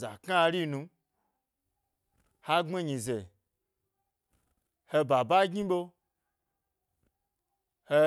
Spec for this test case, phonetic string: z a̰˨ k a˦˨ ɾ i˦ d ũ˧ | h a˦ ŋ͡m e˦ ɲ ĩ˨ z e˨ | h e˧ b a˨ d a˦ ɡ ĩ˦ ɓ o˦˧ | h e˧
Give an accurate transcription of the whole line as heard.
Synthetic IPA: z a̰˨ k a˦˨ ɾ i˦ n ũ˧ | h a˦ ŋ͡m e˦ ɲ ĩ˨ z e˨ | h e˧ b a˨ b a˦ ɡ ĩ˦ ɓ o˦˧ | h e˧